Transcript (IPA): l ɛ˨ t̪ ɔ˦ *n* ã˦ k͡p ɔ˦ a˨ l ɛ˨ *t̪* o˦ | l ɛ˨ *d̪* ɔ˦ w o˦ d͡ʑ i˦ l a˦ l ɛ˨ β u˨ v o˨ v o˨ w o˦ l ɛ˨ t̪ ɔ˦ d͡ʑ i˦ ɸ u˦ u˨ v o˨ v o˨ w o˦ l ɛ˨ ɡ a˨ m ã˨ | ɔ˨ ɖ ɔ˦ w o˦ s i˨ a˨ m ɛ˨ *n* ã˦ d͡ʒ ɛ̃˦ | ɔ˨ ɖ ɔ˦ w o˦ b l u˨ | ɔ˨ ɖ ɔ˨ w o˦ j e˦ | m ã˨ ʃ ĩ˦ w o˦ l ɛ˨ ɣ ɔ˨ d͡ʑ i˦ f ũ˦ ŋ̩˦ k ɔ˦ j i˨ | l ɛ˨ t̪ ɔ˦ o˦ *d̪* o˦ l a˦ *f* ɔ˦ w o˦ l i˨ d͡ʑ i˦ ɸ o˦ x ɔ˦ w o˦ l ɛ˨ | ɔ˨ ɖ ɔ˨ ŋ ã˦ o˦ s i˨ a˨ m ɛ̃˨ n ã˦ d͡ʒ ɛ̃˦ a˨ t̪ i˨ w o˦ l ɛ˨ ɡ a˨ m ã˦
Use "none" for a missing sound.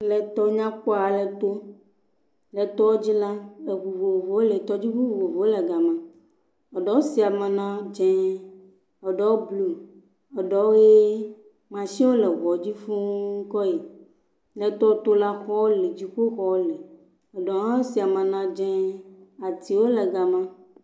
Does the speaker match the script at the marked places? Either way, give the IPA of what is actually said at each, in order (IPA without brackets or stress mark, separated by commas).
ɲ, t̪, t̪, n, t̪, x